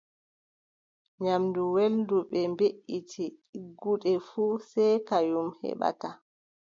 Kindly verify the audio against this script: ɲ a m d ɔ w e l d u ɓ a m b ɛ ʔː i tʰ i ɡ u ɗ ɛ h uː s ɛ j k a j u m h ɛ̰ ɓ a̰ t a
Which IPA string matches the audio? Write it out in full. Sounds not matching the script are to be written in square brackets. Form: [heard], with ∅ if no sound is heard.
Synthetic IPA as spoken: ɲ a m d [u] w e l d u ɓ [ɛ] m b [e] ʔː i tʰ i ɡ u ɗ ɛ [f] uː s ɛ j k a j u m h ɛ̰ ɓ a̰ t a